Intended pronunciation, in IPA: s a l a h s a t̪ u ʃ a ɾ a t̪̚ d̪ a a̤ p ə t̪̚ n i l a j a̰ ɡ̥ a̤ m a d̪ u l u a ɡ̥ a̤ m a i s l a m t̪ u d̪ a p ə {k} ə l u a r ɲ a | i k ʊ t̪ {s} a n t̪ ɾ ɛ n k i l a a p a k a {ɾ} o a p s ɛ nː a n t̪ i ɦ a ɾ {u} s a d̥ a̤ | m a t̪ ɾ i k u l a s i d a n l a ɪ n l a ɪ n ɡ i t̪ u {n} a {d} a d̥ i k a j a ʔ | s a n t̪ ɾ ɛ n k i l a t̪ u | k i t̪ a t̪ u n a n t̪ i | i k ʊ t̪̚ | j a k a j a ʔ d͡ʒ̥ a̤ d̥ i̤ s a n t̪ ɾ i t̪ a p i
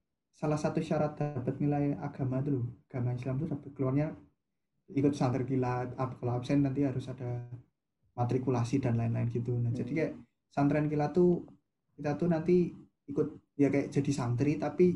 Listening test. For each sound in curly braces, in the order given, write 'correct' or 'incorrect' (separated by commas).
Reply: correct, correct, incorrect, incorrect, correct, incorrect